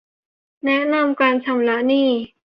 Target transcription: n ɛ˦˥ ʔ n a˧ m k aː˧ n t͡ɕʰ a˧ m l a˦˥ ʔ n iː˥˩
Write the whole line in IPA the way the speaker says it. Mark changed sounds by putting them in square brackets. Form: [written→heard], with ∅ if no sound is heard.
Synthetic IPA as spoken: n ɛ˦˥ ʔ n a˧ m k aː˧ n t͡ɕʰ a˧ m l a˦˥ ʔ n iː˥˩